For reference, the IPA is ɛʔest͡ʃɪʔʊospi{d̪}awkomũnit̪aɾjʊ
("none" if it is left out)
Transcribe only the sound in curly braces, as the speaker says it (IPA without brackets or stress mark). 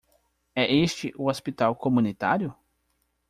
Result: t̪